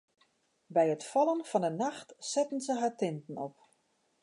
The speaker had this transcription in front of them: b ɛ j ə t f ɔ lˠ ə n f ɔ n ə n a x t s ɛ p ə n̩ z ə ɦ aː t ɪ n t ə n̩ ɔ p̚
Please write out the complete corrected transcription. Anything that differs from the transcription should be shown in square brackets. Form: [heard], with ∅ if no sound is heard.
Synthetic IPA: b ɛ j ə t f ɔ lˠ ə n f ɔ n ə n a x t s ɛ [t] ə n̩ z ə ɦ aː t ɪ n t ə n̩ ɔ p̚